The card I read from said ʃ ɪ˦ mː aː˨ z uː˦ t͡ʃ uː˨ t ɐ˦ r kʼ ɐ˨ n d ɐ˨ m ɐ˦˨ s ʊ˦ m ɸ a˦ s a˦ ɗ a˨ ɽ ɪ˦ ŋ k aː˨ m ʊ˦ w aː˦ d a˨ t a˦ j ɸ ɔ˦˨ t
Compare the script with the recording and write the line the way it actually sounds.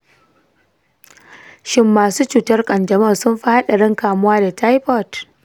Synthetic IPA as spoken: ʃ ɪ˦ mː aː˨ s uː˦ t͡ʃ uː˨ t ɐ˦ r kʼ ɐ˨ n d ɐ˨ m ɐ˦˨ s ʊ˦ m ɸ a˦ h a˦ ɗ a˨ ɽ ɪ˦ ŋ k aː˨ m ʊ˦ w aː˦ d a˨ t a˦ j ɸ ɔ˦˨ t